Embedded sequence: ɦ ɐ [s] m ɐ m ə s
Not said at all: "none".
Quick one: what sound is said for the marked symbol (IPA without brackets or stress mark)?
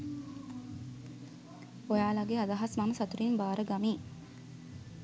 s